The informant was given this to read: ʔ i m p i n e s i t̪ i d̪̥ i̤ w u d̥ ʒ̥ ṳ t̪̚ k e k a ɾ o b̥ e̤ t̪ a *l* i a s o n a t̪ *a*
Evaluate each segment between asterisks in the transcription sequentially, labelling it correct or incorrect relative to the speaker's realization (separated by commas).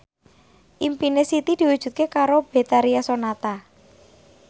incorrect, correct